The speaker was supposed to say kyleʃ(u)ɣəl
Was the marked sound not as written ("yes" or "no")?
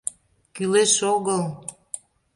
yes